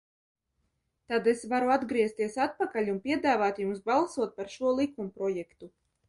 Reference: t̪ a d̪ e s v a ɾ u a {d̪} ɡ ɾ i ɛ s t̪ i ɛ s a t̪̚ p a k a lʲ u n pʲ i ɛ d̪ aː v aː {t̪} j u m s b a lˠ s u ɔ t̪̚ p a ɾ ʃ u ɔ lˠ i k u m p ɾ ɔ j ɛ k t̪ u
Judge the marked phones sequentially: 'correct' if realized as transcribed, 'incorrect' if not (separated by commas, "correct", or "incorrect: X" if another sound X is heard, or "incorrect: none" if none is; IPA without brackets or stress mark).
correct, correct